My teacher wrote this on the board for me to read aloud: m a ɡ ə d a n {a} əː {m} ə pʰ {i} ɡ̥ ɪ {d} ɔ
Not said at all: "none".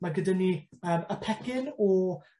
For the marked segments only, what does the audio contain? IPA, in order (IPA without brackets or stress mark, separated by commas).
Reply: i, m, ɛ, n